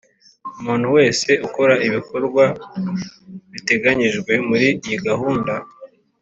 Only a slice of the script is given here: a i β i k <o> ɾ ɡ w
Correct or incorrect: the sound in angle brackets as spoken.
correct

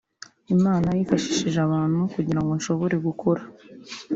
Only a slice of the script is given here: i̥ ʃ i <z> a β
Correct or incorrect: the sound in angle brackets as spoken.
incorrect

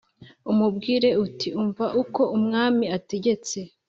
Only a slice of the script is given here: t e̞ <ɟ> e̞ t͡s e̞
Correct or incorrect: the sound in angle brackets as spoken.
correct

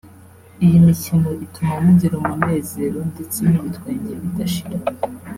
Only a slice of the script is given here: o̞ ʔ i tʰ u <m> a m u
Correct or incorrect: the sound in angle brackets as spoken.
correct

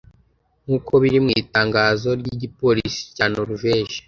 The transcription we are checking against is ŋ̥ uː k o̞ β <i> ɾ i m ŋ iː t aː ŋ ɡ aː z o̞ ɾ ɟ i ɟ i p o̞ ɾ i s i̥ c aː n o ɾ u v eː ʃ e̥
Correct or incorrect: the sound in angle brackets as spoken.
correct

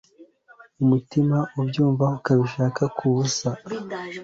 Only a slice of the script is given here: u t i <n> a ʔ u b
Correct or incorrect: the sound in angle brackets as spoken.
incorrect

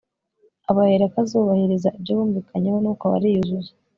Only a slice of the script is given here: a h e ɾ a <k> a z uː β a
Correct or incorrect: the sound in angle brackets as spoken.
correct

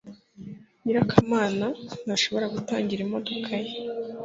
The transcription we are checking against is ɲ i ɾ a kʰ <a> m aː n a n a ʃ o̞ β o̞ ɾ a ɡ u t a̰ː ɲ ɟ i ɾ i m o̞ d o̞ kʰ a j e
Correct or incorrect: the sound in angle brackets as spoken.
correct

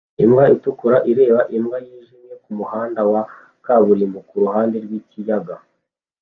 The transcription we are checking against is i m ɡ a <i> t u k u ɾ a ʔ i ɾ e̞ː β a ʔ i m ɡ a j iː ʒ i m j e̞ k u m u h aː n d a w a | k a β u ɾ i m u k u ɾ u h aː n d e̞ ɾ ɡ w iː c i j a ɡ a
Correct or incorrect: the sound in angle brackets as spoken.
correct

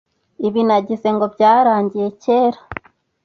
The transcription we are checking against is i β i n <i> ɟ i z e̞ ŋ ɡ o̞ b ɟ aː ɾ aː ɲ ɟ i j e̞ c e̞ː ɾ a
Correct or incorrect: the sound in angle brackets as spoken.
incorrect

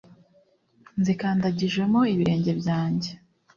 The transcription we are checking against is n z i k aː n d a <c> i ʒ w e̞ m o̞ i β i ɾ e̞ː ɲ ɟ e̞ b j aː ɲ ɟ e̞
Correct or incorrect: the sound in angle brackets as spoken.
incorrect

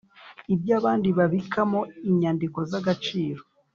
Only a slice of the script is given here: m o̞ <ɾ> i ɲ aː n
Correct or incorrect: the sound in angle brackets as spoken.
incorrect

